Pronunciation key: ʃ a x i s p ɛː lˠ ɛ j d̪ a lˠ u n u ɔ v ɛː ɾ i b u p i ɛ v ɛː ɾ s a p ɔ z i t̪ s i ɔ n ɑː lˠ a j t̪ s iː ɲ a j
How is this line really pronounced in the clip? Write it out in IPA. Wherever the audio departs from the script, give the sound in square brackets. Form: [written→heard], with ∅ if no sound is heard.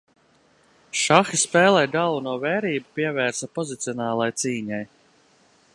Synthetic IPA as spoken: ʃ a x i s p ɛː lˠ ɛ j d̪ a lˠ u n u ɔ v ɛː ɾ [i→iː] b u p i ɛ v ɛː ɾ s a p ɔ z i t̪ s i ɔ n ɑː lˠ a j t̪ s iː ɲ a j